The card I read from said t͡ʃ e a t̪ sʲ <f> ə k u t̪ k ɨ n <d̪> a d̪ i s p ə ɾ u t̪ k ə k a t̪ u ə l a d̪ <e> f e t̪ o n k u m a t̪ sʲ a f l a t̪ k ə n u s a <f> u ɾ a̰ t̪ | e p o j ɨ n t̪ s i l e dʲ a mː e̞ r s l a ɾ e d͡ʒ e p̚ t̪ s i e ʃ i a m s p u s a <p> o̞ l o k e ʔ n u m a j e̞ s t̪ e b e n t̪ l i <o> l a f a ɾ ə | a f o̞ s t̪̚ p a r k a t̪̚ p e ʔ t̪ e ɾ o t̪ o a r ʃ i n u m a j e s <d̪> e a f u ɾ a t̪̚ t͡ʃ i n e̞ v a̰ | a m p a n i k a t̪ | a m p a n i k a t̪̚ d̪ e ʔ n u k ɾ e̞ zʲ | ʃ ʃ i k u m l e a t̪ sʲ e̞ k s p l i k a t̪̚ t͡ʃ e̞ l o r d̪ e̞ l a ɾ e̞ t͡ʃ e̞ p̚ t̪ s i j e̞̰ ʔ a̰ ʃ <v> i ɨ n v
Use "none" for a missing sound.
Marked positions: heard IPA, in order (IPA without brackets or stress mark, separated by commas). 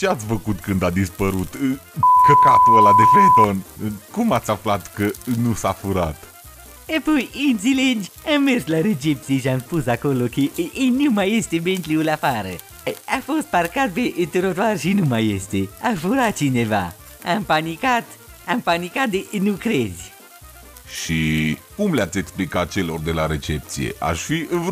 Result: f, d̪, e, f, k, u, t̪, f